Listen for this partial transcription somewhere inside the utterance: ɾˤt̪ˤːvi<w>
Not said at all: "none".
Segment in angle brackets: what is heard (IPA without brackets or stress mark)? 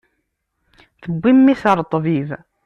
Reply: v